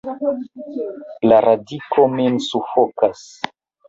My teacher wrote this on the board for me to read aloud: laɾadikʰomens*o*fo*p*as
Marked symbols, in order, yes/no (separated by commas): no, no